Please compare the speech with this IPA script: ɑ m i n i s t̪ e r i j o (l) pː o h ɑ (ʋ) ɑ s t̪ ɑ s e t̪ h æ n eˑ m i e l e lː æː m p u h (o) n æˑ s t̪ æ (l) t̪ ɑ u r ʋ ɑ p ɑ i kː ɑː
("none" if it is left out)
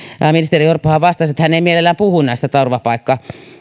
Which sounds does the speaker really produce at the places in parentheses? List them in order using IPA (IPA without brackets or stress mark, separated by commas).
r, ʋ, u, none